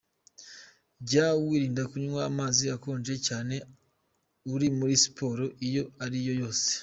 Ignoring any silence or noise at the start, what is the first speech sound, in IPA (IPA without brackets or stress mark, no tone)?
ɟ